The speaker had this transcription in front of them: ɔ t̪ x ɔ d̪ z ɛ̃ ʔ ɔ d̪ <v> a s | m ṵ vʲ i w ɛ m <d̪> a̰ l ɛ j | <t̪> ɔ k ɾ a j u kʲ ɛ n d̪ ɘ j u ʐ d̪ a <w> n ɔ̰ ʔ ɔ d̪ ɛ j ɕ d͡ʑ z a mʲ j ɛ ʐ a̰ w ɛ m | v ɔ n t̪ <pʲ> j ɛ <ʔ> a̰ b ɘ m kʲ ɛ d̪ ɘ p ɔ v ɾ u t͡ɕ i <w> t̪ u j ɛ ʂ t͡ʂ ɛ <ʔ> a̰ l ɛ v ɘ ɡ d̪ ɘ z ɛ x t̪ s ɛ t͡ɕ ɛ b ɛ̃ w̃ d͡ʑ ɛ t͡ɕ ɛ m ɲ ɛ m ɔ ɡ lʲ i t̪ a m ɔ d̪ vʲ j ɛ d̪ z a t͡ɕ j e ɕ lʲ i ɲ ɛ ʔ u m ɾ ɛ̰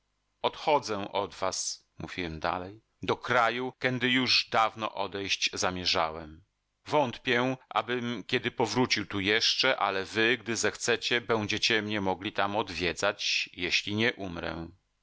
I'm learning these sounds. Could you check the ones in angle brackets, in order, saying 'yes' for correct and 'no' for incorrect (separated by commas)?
yes, yes, no, no, yes, yes, yes, yes